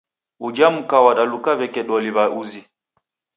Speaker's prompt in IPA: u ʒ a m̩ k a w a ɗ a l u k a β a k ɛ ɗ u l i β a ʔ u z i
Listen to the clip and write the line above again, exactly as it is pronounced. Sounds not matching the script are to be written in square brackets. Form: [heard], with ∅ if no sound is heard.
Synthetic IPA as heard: u [d͡ʒ] a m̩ k a w a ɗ a l u k a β [ɛ] k ɛ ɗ [ɔ] l i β a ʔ u z i